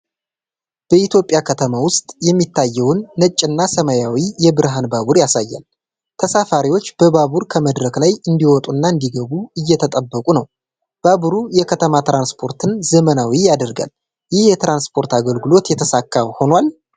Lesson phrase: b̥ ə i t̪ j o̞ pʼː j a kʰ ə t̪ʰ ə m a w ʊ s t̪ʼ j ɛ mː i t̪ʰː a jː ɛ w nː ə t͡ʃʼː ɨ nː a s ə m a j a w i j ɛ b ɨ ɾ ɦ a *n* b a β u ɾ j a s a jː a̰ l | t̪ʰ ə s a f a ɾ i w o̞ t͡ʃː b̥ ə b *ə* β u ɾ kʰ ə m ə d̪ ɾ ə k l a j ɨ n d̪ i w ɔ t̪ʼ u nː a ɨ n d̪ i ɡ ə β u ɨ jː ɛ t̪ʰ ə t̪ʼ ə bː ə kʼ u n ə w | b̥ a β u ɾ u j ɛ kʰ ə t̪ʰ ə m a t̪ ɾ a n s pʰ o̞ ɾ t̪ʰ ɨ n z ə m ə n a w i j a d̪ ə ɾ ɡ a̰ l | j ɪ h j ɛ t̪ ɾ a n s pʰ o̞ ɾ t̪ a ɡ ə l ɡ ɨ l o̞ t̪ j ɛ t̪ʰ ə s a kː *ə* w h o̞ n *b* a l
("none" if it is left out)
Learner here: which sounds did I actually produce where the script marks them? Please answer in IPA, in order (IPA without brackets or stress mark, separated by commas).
n, a, a, w